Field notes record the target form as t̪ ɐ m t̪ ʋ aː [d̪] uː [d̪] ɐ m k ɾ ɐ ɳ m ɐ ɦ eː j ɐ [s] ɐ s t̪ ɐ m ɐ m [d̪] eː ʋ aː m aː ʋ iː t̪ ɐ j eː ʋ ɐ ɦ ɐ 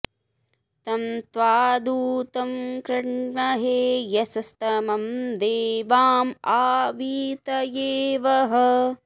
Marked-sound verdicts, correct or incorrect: correct, incorrect, correct, correct

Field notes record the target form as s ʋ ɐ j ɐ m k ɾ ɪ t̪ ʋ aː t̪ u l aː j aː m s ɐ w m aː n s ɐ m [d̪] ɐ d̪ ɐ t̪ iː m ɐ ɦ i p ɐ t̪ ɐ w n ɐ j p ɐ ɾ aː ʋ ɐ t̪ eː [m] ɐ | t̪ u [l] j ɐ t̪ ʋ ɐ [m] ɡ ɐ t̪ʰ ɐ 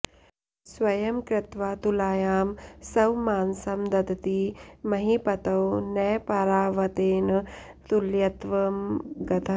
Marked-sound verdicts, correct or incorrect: correct, incorrect, correct, correct

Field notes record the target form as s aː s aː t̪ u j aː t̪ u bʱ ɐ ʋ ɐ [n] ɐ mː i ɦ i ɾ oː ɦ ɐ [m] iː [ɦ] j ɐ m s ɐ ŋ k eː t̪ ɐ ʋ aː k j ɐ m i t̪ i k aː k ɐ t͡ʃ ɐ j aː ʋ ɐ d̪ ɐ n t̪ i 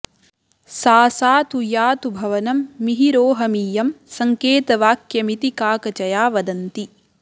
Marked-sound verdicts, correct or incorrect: correct, correct, incorrect

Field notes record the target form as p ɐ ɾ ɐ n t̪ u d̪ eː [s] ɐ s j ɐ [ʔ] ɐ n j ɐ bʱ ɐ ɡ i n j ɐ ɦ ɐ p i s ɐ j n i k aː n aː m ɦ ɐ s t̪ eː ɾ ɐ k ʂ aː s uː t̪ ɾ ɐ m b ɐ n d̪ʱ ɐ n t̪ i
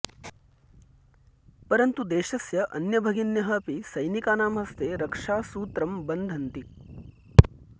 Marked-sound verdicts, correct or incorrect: incorrect, correct

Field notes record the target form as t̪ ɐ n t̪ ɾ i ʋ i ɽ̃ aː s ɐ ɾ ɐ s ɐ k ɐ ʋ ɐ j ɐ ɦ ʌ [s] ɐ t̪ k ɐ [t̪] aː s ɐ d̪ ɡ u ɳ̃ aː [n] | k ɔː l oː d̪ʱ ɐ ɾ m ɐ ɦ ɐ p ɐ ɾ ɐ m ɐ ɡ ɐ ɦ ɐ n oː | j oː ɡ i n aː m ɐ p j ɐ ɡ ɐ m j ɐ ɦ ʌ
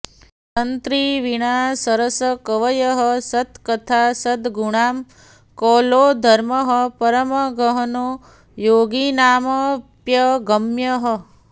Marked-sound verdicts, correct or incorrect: correct, incorrect, incorrect

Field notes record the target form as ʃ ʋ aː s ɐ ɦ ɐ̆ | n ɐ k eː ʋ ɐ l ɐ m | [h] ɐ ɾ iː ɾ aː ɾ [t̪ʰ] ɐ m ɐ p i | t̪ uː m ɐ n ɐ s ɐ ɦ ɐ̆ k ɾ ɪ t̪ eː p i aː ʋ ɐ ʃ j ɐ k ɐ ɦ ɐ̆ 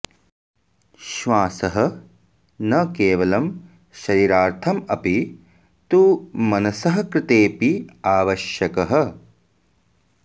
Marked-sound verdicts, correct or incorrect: incorrect, correct

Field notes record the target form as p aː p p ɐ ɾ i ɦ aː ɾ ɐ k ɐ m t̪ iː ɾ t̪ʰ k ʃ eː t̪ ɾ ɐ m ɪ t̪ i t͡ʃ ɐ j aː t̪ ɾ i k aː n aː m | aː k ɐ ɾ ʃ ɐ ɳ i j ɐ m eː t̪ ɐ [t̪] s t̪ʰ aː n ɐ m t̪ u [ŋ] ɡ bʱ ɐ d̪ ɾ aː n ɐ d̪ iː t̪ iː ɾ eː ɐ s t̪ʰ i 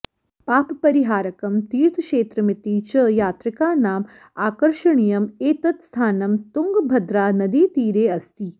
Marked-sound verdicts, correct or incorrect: correct, correct

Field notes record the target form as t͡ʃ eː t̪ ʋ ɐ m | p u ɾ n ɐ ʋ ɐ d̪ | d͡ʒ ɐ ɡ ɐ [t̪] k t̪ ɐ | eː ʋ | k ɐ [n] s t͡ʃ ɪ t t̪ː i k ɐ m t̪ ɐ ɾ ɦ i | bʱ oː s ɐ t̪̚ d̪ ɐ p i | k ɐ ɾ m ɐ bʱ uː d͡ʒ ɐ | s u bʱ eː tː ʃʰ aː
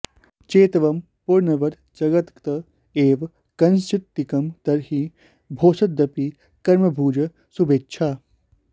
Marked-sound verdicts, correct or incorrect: correct, correct

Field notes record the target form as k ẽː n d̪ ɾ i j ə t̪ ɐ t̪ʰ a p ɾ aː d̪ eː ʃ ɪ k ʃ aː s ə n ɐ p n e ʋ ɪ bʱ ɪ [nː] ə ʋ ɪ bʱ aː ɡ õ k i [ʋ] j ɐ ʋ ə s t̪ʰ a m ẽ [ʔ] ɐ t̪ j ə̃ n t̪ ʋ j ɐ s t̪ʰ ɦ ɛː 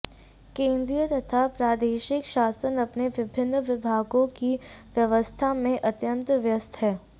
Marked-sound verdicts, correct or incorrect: correct, correct, correct

